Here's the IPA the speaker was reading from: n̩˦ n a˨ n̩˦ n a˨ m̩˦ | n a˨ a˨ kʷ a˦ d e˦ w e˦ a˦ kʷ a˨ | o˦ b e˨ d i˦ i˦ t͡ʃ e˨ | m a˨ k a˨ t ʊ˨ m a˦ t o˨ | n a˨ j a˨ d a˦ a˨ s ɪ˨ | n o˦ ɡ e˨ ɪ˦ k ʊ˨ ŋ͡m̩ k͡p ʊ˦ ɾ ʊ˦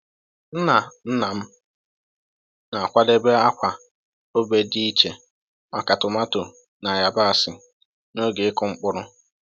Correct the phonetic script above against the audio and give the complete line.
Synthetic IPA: n̩˦ n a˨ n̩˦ n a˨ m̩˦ | n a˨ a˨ kʷ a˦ d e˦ b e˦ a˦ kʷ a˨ | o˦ b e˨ d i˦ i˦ t͡ʃ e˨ | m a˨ k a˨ t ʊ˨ m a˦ t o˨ | n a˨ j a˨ b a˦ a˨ s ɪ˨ | n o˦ ɡ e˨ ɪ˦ k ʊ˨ ŋ͡m̩ k͡p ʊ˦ ɾ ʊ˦

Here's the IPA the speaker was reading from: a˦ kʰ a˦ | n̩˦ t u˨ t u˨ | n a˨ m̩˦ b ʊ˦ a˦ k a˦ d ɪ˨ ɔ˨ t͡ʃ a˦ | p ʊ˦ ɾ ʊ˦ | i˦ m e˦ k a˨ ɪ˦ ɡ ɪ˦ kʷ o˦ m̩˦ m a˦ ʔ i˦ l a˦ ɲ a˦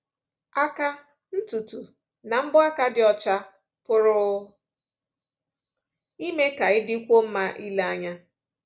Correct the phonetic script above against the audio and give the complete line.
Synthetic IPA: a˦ k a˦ | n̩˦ t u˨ t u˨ | n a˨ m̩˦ b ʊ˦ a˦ k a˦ d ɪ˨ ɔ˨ t͡ʃ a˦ | p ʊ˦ ɾ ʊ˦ | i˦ m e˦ k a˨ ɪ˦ d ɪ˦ kʷ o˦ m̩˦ m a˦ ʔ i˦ l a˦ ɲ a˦

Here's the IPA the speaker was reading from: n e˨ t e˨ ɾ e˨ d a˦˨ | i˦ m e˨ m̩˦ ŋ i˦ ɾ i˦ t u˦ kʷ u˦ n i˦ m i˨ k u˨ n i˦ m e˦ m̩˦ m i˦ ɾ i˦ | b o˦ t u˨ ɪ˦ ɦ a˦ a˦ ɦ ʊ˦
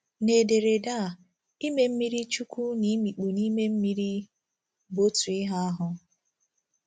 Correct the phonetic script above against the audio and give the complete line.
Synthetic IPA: n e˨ d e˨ ɾ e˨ d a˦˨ | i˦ m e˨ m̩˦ m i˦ ɾ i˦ t͡ʃ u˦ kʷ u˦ n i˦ m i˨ k͡p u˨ n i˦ m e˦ m̩˦ m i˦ ɾ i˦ | b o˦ t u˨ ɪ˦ ɦ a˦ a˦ ɦ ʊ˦

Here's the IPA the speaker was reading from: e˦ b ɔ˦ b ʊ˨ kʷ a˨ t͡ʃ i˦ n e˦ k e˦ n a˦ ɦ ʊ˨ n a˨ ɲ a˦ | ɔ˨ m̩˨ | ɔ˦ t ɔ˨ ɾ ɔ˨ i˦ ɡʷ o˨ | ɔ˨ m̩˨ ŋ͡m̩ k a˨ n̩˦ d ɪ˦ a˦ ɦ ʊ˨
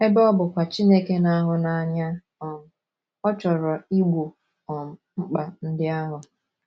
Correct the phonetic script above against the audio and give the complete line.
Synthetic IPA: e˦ b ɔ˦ b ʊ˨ kʷ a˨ t͡ʃ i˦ n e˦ k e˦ n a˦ ɦ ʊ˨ n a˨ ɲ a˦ | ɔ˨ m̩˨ | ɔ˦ t͡ʃ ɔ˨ ɾ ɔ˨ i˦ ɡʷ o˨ | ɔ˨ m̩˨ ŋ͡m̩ k͡p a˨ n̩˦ d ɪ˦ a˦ ɦ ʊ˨

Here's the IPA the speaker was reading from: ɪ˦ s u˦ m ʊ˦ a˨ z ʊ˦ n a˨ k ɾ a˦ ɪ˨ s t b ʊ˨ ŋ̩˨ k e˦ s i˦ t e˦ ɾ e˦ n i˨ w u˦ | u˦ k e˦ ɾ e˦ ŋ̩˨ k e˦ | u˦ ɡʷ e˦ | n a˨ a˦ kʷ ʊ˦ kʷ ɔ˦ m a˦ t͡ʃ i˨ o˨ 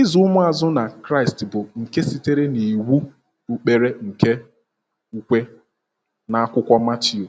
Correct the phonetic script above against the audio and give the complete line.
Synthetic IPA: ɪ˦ z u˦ m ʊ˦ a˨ z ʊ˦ n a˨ k ɾ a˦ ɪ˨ s t b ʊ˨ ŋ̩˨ k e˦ s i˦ t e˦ ɾ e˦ n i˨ w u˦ | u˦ k͡p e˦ ɾ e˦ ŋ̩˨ k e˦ | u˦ kʷ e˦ | n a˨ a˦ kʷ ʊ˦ kʷ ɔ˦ m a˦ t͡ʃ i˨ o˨

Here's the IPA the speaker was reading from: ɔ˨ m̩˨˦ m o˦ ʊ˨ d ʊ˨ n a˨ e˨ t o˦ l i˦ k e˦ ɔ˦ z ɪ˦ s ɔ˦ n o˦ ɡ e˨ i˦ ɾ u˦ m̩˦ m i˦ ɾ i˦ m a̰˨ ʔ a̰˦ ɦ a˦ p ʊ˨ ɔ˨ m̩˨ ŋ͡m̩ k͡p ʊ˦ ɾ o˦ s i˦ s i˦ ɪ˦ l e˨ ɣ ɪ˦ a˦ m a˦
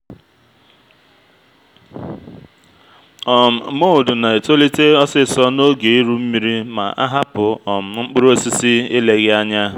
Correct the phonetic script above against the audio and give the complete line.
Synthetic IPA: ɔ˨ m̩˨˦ m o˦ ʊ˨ d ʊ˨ n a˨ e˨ t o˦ l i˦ t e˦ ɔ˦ s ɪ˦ s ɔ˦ n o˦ ɡ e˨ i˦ ɾ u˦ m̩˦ m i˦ ɾ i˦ m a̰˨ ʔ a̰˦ ɦ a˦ p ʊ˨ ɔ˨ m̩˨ ŋ͡m̩ k͡p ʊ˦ ɾ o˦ s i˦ s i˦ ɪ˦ l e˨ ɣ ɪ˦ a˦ ɲ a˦

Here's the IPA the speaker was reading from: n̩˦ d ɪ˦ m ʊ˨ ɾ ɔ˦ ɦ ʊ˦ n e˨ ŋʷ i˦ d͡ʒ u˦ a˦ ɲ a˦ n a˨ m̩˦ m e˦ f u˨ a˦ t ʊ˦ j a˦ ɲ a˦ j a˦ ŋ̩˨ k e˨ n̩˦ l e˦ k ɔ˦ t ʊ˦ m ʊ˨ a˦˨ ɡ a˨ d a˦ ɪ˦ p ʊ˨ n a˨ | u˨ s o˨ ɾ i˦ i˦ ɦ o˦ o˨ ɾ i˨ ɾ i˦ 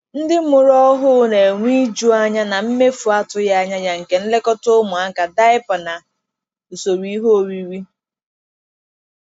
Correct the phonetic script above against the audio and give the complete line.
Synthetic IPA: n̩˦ d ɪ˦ m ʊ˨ ɾ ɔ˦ ɦ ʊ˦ n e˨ ŋʷ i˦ d͡ʒ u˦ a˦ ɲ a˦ n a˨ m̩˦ m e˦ f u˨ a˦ t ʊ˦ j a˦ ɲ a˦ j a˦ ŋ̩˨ k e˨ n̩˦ l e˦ k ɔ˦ t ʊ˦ m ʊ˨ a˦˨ k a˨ d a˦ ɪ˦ p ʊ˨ n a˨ | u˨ s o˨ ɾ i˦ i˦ ɦ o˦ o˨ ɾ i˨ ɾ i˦

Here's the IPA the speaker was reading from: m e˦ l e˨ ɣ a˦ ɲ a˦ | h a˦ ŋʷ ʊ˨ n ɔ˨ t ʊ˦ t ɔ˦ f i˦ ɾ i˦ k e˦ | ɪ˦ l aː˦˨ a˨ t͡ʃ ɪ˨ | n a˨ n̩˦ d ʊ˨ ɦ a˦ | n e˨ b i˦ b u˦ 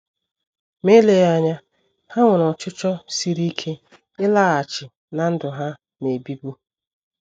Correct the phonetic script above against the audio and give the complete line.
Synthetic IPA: m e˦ l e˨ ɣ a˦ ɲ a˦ | h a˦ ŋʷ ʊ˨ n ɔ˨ t͡ʃ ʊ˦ t͡ʃ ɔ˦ s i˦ ɾ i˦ kʰ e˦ | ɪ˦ l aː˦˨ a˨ t͡ʃ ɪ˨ | n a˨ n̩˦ d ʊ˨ ɦ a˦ | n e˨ b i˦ b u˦

